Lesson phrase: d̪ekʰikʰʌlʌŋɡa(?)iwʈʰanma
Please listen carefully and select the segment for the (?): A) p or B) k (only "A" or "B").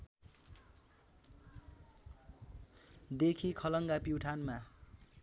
A